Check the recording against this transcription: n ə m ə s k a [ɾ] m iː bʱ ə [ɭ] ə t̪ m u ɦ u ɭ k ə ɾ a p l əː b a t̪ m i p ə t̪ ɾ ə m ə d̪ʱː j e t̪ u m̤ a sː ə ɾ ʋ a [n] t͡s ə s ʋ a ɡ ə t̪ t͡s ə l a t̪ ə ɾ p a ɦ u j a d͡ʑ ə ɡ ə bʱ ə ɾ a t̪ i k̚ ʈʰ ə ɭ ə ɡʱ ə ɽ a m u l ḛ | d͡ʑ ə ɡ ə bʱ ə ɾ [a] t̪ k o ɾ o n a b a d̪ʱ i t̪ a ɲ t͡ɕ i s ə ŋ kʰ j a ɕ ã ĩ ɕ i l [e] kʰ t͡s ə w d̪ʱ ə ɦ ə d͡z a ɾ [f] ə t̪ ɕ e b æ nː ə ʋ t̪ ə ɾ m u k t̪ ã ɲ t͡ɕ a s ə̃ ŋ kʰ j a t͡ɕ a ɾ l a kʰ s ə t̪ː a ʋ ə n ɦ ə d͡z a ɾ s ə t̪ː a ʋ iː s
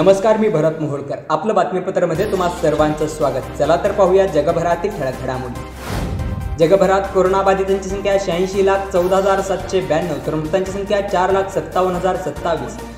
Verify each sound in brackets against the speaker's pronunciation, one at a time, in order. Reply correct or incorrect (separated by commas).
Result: correct, incorrect, correct, correct, incorrect, incorrect